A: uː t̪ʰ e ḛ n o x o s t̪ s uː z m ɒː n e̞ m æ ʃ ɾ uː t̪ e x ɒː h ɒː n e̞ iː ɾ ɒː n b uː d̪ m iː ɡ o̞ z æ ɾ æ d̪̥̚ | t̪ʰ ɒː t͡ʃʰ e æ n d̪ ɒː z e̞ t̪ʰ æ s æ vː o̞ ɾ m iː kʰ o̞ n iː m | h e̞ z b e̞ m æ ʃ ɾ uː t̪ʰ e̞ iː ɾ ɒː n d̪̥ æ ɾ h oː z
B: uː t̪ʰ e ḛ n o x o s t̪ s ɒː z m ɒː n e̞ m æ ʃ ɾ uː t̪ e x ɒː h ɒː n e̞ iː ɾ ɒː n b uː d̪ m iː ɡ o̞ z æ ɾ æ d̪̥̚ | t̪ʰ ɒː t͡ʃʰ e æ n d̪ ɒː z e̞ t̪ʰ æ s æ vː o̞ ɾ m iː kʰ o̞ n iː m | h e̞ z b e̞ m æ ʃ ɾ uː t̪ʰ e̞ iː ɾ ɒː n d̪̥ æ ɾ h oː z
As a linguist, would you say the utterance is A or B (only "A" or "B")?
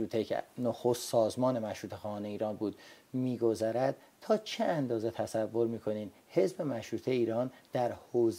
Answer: B